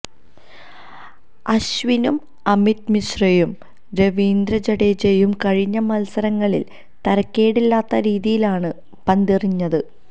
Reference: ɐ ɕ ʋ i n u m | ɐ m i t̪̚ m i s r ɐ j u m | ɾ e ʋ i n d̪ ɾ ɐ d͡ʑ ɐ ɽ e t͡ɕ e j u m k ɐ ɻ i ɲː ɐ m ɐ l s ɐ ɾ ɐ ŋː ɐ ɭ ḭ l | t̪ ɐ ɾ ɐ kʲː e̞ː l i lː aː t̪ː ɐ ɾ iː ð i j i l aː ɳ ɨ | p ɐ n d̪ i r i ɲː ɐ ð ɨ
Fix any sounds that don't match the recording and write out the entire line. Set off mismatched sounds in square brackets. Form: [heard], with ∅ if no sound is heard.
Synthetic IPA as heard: ɐ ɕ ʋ i n u m | ɐ m i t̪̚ m i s r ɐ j u m | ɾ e ʋ [iː] n d̪ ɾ ɐ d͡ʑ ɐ ɽ e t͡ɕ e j u m k ɐ ɻ i ɲː ɐ m ɐ l s ɐ ɾ ɐ ŋː ɐ ɭ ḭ l | t̪ ɐ ɾ ɐ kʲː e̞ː [ɽ] i lː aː t̪ː ɐ ɾ iː ð i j i l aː ɳ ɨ | p ɐ n d̪ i r i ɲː ɐ ð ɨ